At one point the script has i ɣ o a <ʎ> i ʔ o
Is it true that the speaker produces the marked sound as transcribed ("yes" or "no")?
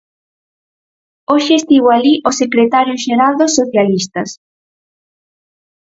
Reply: no